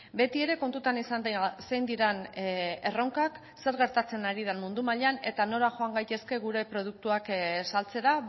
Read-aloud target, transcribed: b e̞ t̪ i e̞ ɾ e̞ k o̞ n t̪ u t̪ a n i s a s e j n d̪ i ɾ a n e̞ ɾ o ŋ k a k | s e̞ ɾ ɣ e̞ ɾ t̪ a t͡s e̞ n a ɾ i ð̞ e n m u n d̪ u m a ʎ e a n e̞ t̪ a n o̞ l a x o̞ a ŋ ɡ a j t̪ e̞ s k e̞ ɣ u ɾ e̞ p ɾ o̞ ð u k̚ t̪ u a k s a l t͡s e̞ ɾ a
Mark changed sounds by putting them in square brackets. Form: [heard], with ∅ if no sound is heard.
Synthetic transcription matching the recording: b e̞ t̪ i e̞ ɾ e̞ k o̞ n t̪ u t̪ a n i s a s e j n d̪ i ɾ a n e̞ [r] o ŋ k a k | s e̞ ɾ ɣ e̞ ɾ t̪ a t͡s e̞ n a ɾ i ð̞ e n m u n d̪ u m a ʎ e a n e̞ t̪ a n o̞ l a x o̞ a ŋ ɡ a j t̪ e̞ s k e̞ ɣ u ɾ e̞ p ɾ o̞ ð u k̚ t̪ u a k s a l t͡s e̞ ɾ a